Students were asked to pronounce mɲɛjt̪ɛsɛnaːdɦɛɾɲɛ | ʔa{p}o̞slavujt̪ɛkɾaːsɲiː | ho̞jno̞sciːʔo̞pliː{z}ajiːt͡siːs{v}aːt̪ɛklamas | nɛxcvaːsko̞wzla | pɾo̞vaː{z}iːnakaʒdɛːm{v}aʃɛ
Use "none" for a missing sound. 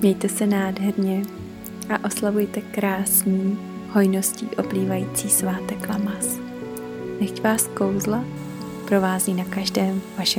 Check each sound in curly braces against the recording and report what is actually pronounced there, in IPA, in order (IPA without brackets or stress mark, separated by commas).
ʔ, v, v, z, v